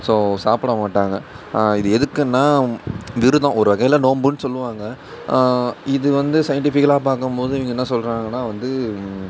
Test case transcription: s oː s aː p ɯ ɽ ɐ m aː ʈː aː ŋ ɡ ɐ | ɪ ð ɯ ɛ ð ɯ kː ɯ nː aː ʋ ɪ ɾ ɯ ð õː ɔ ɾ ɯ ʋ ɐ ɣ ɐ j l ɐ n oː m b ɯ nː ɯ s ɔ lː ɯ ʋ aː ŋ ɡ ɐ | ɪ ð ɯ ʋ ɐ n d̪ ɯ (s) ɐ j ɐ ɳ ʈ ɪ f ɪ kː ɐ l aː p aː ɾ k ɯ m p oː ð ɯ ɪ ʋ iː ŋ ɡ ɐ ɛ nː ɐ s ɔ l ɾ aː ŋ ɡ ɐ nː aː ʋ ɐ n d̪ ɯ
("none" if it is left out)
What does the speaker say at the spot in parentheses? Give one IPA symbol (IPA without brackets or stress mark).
s